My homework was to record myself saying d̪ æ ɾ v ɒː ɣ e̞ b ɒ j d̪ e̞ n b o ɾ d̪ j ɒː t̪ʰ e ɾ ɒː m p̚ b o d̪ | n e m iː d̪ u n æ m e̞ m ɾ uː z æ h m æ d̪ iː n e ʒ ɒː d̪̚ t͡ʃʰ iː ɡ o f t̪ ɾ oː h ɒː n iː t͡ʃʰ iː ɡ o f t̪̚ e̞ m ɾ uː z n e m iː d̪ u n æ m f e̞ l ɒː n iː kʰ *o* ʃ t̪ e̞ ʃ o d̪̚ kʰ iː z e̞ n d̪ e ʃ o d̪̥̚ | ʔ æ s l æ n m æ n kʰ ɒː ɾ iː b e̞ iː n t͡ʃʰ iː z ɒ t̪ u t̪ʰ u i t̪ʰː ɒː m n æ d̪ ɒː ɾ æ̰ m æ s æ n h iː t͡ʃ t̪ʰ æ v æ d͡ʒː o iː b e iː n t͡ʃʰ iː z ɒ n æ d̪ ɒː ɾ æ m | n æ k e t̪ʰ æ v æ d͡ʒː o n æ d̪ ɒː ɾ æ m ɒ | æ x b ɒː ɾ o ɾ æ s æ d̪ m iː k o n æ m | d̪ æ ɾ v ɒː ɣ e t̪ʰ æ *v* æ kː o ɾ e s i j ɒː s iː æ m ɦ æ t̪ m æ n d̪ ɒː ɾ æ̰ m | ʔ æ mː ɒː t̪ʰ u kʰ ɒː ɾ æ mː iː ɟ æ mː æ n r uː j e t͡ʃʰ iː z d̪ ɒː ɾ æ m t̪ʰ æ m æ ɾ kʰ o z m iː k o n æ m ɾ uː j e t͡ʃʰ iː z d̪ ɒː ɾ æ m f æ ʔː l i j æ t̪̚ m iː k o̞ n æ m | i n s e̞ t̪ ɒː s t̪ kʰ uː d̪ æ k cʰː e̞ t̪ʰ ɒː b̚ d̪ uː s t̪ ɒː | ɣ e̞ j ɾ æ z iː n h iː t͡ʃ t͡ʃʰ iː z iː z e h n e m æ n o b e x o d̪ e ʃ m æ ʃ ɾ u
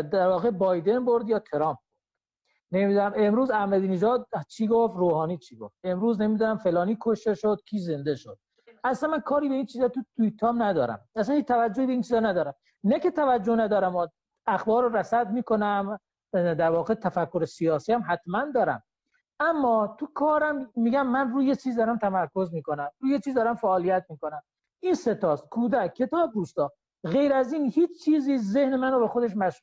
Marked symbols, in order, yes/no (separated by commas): yes, no